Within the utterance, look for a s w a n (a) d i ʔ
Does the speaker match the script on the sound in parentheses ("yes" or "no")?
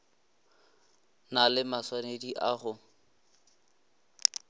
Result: no